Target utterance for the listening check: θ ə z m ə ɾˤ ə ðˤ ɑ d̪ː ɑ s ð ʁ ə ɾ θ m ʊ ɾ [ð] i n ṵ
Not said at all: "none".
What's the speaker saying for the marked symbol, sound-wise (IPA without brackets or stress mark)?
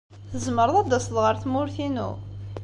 θ